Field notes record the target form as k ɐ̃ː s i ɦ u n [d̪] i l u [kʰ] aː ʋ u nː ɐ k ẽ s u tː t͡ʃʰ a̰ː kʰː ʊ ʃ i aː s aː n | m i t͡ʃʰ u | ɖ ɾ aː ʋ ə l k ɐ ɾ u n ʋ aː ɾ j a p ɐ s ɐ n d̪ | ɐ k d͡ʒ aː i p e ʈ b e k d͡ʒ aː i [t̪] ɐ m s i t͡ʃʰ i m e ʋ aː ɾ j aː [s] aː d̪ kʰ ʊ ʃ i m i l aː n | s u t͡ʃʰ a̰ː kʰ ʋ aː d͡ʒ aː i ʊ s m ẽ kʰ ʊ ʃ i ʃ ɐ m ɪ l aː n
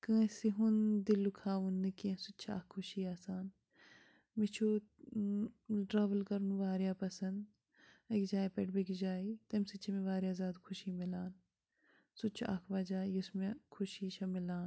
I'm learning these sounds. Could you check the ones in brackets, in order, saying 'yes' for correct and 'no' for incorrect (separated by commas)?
yes, yes, yes, no